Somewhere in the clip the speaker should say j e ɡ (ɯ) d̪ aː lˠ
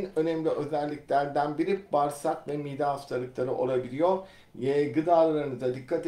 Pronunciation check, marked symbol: correct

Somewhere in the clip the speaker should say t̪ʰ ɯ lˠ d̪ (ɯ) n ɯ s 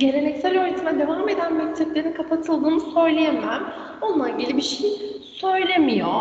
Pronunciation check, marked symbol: incorrect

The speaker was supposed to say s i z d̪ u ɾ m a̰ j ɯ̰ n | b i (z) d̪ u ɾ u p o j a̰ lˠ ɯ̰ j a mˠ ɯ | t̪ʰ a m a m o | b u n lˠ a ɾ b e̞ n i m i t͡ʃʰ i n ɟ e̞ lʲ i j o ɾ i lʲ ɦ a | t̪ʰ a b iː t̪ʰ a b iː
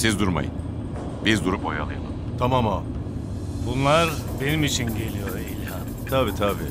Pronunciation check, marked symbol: correct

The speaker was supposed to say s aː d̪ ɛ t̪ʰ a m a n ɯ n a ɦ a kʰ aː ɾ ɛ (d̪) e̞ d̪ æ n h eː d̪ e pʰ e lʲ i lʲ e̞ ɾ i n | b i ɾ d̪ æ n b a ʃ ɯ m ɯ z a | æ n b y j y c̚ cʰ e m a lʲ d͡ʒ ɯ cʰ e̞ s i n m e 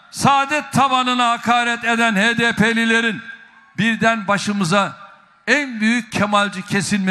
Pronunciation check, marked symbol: incorrect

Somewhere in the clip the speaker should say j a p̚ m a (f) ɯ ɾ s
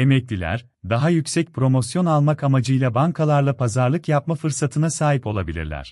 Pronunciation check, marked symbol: correct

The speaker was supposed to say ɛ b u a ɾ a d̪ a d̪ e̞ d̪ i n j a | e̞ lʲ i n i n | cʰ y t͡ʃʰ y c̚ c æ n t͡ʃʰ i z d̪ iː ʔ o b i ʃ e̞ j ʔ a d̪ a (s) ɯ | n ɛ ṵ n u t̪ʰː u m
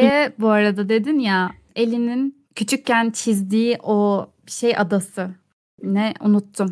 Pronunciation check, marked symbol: correct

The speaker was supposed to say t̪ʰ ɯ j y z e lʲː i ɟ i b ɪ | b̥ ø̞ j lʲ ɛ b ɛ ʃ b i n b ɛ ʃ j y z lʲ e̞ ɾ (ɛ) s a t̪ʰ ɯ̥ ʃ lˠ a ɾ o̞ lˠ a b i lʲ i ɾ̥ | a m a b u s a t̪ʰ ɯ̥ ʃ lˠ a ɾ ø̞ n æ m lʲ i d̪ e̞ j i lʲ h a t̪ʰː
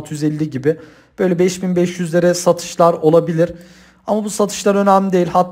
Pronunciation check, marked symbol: correct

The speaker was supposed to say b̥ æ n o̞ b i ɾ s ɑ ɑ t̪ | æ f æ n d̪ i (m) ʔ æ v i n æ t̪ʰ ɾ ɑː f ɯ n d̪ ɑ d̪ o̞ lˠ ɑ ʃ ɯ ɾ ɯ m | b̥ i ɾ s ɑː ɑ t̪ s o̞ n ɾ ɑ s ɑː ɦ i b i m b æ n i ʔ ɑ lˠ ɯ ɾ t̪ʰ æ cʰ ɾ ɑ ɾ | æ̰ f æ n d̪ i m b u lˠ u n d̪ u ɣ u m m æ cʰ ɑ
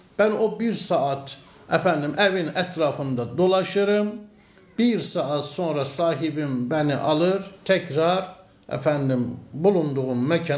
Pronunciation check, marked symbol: correct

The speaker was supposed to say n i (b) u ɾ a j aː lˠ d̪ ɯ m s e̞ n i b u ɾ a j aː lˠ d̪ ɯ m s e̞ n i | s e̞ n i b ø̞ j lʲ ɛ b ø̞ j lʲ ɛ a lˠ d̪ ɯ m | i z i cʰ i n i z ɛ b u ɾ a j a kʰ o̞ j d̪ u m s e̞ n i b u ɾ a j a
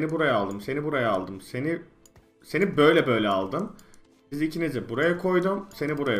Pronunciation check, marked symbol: correct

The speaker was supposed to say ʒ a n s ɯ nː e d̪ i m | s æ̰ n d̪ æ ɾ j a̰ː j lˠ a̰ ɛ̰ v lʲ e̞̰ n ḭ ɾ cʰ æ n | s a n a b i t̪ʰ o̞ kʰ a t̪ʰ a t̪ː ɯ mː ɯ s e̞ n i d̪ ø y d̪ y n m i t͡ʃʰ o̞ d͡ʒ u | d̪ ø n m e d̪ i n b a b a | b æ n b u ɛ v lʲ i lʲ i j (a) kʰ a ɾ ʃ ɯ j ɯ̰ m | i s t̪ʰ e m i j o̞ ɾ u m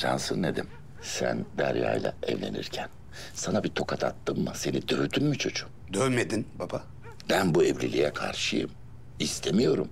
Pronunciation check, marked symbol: incorrect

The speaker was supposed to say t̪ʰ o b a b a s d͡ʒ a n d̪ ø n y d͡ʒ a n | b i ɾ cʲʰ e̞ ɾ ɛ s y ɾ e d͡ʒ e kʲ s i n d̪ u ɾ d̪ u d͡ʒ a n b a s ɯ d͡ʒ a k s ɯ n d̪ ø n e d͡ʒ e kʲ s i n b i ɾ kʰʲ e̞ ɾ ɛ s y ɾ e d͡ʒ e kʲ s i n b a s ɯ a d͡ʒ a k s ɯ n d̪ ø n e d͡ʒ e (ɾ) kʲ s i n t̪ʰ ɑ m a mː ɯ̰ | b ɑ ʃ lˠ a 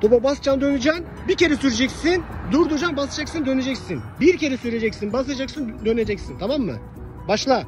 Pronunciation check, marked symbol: incorrect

